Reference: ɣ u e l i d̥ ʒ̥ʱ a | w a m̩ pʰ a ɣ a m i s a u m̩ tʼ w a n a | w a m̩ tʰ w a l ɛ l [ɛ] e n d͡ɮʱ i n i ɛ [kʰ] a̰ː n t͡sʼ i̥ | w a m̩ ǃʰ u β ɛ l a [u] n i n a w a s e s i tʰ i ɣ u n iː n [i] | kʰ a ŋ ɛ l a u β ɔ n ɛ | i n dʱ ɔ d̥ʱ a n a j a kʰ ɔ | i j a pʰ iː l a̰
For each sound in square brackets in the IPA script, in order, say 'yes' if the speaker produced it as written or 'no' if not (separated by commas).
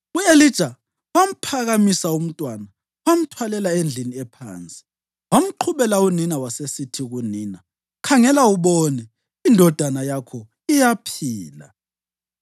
no, no, yes, no